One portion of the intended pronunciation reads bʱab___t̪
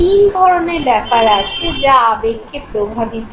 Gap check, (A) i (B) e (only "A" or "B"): A